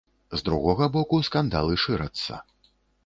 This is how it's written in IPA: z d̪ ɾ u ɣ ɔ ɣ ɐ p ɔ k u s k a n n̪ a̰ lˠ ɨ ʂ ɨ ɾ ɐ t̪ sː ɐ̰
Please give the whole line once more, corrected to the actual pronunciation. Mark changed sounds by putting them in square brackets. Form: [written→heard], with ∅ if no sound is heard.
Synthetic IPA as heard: z d̪ ɾ u ɣ ɔ ɣ ɐ [p→b] ɔ k u s k a n [n̪→d̪] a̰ lˠ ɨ ʂ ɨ ɾ ɐ t̪ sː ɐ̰